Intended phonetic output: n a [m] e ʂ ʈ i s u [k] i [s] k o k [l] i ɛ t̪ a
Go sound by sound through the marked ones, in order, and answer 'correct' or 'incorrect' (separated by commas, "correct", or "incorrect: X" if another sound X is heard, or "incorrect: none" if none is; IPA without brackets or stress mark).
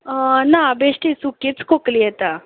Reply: incorrect: b, correct, incorrect: t͡s, correct